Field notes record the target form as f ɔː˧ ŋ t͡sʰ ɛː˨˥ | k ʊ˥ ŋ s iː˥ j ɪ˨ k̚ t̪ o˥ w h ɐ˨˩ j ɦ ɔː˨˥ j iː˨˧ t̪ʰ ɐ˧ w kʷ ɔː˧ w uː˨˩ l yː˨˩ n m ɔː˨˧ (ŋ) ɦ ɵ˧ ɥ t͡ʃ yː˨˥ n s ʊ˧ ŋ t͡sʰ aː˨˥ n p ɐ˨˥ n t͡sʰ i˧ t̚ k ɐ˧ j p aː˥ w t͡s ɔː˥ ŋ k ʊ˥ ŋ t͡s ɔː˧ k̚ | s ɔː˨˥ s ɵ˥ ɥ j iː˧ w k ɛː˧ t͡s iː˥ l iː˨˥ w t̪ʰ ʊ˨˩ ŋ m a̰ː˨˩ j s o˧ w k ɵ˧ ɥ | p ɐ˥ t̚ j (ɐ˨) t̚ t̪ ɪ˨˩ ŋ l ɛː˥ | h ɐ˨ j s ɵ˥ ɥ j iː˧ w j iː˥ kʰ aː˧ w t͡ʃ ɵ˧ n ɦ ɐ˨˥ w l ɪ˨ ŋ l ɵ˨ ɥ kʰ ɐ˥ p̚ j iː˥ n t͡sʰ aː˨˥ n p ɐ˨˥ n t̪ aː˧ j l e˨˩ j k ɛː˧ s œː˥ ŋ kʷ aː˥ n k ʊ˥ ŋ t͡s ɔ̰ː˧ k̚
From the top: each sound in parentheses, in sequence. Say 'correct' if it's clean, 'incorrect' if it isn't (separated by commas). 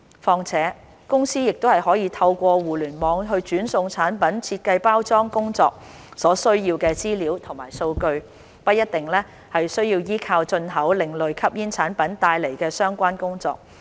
correct, incorrect